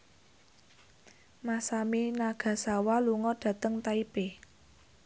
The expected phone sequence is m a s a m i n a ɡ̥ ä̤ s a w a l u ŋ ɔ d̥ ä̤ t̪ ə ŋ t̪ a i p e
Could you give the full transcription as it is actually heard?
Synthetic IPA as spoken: m a s a m i n a ɡ̥ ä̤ s a w a l u ŋ ɔ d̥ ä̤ t̪ ə ŋ t̪ a i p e